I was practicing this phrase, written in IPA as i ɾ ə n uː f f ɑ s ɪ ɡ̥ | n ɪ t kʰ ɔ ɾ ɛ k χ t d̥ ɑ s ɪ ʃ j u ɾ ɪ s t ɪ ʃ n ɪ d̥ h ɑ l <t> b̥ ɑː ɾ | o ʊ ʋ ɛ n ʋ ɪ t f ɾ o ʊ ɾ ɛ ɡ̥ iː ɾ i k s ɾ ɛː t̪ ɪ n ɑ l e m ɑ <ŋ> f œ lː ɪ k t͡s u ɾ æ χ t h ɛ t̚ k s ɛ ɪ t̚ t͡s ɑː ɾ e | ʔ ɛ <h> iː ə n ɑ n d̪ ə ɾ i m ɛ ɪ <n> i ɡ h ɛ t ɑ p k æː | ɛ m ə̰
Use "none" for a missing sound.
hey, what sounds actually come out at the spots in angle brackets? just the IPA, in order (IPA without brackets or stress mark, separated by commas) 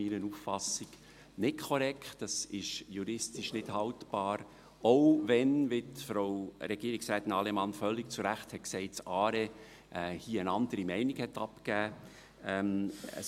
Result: t, n, h, n